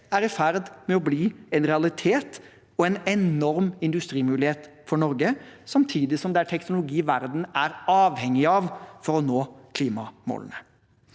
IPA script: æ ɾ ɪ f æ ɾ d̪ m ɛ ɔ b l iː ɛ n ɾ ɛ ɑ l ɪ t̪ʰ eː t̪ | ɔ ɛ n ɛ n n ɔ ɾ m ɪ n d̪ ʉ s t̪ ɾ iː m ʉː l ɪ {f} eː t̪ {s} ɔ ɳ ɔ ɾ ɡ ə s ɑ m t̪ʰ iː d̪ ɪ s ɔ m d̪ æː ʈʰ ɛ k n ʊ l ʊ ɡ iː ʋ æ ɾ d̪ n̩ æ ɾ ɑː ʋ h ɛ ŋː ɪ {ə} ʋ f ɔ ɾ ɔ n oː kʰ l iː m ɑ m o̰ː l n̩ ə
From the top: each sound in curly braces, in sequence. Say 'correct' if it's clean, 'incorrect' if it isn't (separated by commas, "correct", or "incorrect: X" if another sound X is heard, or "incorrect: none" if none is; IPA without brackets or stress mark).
incorrect: h, incorrect: f, incorrect: ɑ